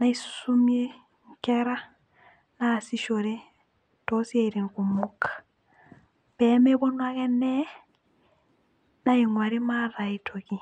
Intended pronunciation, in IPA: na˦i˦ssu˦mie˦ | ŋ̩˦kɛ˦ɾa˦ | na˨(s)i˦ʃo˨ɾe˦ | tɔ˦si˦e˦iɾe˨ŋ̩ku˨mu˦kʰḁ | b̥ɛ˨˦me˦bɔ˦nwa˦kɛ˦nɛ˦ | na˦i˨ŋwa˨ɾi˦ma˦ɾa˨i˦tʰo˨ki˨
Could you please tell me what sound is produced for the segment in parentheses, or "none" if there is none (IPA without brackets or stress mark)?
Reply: s